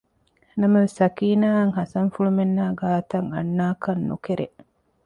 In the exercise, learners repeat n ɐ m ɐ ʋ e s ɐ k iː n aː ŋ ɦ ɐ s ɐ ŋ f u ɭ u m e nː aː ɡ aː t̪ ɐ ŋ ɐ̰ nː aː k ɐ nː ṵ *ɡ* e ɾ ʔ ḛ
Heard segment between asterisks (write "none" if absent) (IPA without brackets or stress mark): k